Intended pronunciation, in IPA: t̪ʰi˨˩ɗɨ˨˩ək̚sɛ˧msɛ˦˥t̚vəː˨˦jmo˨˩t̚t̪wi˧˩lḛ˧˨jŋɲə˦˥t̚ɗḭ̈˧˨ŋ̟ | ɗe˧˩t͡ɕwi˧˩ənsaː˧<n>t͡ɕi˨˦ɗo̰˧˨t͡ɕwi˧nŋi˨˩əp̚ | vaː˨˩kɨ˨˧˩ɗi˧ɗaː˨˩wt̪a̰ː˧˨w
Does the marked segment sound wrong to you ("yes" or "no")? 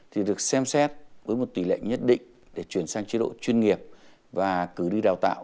yes